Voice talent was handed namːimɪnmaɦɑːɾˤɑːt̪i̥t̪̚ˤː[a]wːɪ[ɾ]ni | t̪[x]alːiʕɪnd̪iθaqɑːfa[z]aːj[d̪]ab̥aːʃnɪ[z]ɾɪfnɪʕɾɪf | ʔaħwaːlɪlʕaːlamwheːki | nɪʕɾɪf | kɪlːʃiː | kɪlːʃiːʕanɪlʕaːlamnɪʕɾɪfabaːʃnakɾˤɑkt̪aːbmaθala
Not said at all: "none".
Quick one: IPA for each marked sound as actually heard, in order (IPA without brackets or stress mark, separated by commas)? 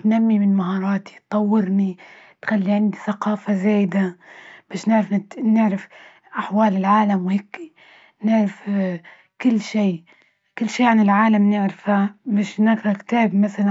ɑ, ɾ, x, z, d̪, ʕ